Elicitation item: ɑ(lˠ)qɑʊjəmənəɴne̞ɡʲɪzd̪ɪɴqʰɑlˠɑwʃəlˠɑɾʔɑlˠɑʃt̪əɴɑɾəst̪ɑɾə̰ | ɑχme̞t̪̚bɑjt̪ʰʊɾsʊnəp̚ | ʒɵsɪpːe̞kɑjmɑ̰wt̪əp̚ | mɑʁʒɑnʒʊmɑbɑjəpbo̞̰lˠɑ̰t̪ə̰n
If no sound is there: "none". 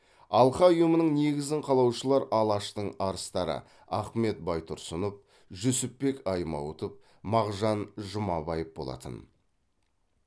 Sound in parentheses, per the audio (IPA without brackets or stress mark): lˠ